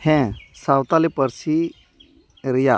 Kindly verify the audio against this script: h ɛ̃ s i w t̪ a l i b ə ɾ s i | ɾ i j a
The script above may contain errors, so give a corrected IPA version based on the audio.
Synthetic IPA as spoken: h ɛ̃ s a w t̪ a l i p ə ɾ s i | ɾ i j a